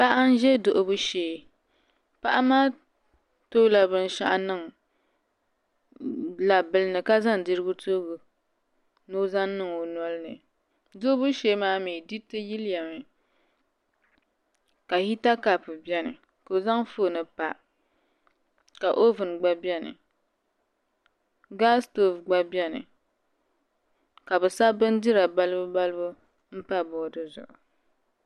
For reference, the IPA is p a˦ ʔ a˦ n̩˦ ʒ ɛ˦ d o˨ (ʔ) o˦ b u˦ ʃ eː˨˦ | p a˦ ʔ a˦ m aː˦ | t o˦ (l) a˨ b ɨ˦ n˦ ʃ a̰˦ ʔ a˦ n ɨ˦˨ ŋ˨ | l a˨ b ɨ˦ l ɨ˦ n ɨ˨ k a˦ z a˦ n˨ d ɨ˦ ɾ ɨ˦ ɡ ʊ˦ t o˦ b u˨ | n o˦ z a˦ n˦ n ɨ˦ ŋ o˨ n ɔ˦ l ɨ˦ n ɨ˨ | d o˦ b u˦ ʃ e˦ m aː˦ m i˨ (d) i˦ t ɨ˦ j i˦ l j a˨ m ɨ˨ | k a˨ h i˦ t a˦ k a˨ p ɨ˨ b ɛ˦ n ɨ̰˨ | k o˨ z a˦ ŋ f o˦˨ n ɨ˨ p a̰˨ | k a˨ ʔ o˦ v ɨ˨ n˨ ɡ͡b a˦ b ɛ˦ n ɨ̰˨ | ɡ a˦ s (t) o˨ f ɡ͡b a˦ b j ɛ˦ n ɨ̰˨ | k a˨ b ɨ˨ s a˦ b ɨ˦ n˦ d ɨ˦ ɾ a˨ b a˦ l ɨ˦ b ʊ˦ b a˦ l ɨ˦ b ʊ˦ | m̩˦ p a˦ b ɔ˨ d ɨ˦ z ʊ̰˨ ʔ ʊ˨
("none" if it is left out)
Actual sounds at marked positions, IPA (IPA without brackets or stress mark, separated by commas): ʔ, l, d, t